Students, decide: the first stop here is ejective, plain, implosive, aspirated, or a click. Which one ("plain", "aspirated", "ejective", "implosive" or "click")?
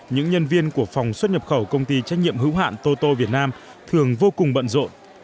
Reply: plain